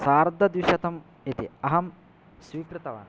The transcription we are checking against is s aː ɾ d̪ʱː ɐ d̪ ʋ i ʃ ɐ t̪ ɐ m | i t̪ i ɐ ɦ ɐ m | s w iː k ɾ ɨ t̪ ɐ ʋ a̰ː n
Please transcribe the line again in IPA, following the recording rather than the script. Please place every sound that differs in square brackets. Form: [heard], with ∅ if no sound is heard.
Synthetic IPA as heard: s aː ɾ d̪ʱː ɐ d̪ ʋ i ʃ ɐ t̪ ɐ m | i t̪ i ɐ ɦ ɐ m | s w iː k ɾ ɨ t̪ ɐ ʋ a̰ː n